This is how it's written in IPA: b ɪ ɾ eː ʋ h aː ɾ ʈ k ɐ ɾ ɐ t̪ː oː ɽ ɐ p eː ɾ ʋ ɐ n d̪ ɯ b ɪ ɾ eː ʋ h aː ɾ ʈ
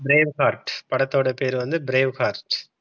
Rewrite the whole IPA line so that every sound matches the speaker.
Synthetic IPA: b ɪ ɾ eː ʋ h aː ɾ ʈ p ɐ ɽ ɐ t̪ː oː ɽ ɐ p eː ɾ ʋ ɐ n d̪ ɯ b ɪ ɾ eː ʋ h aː ɾ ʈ